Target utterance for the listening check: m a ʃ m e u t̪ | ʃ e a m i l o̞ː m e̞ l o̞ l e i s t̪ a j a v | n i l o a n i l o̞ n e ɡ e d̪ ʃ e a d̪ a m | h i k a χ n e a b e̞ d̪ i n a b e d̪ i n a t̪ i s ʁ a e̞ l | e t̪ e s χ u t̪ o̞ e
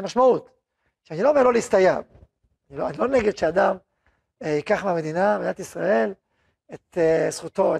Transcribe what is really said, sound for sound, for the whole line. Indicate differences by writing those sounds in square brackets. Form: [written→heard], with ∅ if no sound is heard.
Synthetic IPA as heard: m a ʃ m [e→a] u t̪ | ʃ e a [m→n] i l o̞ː m e̞ l o̞ l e i s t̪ a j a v | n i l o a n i l o̞ n e ɡ e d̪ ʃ e a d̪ a m | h i k a χ [n→m] e a [b→m] e̞ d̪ i n a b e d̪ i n a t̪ i s ʁ a e̞ l | e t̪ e s χ u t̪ o̞ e